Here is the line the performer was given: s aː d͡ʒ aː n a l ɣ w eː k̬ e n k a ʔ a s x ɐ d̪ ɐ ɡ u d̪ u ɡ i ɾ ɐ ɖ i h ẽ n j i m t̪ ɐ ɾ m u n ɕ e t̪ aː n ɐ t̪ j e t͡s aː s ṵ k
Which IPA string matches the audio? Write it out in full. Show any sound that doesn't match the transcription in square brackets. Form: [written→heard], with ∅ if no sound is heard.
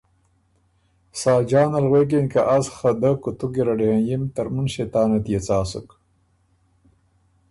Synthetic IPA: s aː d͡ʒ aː n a l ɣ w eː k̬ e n k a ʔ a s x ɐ d̪ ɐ [ɡ→k] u [d̪→t̪] u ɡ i ɾ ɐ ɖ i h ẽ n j i m t̪ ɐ ɾ m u n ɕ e t̪ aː n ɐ t̪ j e t͡s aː s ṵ k